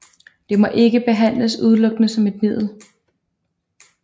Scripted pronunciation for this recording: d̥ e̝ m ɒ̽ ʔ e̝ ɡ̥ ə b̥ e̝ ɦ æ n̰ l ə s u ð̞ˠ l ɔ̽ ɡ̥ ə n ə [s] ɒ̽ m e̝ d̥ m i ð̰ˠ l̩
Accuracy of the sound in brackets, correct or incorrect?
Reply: correct